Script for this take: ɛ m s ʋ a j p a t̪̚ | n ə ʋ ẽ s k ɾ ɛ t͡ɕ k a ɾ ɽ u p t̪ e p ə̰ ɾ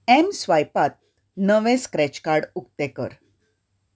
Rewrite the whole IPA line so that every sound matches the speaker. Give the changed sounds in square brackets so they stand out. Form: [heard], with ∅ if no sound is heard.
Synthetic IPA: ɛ m s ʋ a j p a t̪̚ | n ə ʋ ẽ s k ɾ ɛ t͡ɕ k a ɾ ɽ u [k] t̪ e [k] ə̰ ɾ